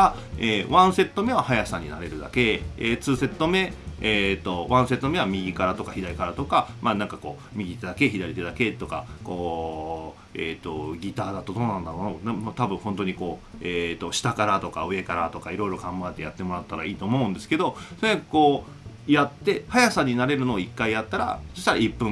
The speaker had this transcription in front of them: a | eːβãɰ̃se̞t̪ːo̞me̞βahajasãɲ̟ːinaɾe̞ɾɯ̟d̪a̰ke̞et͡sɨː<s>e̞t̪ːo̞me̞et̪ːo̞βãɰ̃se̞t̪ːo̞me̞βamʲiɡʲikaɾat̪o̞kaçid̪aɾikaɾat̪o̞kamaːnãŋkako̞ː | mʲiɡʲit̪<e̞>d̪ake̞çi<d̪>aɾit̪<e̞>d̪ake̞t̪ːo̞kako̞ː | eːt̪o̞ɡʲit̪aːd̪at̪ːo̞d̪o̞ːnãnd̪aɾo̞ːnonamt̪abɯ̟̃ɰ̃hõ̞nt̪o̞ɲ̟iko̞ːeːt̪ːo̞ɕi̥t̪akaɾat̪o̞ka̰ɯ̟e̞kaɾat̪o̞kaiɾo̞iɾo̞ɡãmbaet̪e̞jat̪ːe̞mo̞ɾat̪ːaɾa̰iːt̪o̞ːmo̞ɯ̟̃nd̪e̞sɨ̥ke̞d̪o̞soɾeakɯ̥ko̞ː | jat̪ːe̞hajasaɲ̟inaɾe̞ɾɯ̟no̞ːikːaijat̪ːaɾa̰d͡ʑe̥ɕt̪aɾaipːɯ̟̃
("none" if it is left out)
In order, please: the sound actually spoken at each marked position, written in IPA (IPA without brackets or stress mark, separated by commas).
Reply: s, e̞, d̪, e̞